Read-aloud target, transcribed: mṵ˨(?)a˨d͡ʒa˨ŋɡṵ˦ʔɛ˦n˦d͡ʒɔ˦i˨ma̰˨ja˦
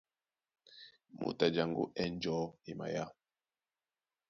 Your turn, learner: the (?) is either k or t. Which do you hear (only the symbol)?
t